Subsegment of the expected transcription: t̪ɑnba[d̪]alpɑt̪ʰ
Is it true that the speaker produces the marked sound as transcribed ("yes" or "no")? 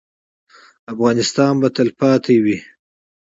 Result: no